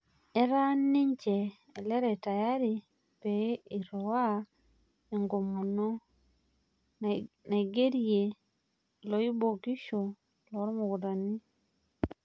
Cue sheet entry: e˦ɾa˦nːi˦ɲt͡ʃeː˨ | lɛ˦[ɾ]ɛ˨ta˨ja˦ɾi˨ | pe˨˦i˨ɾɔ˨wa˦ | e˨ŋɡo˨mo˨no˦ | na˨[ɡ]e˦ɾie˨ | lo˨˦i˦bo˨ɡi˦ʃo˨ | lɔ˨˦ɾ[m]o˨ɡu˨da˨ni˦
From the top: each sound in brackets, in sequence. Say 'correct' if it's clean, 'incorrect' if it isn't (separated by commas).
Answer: correct, correct, correct